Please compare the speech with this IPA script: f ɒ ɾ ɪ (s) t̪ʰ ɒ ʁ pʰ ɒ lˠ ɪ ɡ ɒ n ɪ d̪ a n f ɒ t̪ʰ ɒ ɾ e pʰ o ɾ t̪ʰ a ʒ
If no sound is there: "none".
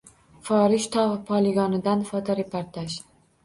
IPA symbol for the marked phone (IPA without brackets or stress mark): ʃ